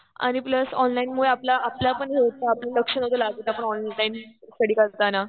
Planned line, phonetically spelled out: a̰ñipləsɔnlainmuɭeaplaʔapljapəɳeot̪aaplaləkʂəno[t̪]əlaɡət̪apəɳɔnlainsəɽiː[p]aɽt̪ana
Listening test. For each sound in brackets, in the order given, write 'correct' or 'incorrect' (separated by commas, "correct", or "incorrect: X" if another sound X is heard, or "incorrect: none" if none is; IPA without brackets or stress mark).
correct, incorrect: k